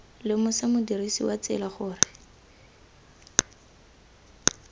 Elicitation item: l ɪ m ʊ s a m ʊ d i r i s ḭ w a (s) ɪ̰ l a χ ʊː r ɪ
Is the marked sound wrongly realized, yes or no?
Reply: yes